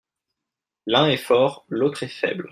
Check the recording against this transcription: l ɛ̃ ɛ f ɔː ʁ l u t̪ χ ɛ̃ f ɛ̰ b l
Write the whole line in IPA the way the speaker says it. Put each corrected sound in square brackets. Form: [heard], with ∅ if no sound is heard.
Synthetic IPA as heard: l ɛ̃ ɛ f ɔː ʁ l [o] t̪ χ [ɛ] f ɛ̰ b l